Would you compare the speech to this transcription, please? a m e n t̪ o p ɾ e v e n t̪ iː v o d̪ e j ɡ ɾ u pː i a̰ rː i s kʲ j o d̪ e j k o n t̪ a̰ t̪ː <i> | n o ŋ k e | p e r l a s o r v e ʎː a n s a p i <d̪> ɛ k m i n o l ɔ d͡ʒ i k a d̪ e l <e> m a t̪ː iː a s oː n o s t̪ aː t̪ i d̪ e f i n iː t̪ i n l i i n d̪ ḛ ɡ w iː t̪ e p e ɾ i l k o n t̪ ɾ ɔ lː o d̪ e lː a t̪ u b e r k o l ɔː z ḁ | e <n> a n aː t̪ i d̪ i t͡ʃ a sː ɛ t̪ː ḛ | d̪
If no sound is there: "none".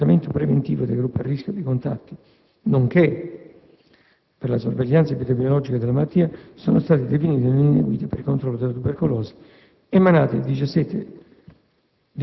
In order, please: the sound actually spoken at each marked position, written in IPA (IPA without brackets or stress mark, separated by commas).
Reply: i, t̪, a, m